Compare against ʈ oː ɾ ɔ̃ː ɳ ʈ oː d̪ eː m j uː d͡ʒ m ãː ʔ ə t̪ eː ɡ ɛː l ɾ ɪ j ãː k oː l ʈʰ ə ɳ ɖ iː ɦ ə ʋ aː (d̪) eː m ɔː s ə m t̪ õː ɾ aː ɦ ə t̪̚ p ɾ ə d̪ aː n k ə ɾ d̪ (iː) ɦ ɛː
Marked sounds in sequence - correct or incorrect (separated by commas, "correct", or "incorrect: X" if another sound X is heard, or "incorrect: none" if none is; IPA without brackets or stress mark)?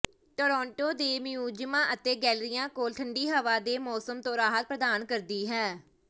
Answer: correct, correct